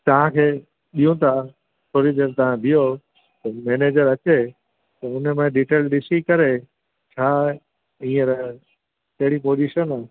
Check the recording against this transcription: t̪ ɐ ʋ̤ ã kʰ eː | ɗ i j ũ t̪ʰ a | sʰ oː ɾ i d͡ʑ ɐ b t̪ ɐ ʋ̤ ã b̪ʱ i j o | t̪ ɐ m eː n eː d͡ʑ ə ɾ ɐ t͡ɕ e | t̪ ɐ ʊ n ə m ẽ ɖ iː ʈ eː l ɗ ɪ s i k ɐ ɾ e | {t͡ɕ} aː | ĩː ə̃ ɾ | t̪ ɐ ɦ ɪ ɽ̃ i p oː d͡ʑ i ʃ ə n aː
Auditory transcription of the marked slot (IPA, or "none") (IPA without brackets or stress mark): t͡ɕʰ